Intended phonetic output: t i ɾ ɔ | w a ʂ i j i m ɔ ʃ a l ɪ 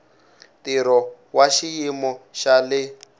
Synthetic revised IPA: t i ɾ ɔ | w a ʃ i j i m ɔ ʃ a l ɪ